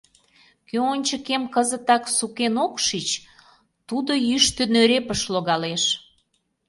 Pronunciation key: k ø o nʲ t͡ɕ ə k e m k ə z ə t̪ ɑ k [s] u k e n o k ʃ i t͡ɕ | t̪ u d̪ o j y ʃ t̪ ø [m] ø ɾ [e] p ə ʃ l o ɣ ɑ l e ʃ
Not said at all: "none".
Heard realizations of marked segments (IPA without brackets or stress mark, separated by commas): s, n, e